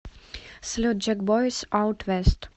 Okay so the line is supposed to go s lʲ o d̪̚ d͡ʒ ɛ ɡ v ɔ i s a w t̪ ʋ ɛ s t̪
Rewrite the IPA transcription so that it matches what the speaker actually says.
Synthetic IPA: s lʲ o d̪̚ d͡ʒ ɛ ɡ b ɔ j s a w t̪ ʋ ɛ s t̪

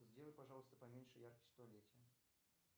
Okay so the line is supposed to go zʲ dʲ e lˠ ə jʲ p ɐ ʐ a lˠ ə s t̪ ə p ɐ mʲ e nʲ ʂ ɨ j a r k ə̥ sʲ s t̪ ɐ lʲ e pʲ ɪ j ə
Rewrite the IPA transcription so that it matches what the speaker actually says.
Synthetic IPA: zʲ dʲ e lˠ ə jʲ p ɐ ʐ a lˠ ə s t̪ ə p ɐ mʲ e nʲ ʂ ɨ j a r k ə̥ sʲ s t̪ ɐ lʲ e tʲ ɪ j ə

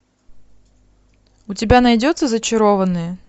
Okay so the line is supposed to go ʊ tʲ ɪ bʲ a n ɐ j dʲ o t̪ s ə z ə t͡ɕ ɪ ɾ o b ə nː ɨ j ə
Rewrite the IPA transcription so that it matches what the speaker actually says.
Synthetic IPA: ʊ tʲ ɪ bʲ a n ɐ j dʲ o t̪ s ə z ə t͡ɕ ɪ ɾ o v ə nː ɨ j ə

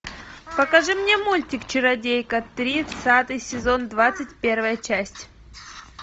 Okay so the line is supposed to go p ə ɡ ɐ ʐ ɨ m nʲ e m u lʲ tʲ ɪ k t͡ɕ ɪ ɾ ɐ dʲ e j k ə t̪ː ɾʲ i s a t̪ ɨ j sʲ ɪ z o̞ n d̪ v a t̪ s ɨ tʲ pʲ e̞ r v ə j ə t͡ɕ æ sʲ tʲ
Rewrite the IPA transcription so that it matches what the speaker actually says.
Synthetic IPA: p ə k ɐ ʐ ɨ m nʲ e m u lʲ tʲ ɪ k t͡ɕ ɪ ɾ ɐ dʲ e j k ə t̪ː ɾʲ i s a t̪ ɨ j sʲ ɪ z o̞ n d̪ v a t̪ s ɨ tʲ pʲ e̞ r v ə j ə t͡ɕ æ sʲ tʲ

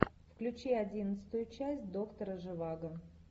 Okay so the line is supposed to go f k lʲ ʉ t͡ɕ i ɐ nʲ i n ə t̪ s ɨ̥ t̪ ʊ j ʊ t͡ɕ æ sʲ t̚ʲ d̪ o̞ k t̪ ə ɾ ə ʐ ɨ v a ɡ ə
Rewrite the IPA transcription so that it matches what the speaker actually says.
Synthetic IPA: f k lʲ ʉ t͡ɕ i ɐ dʲ i n ə t̪ s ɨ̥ t̪ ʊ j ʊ t͡ɕ æ sʲ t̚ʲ d̪ o̞ k t̪ ə ɾ ə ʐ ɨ v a ɡ ə

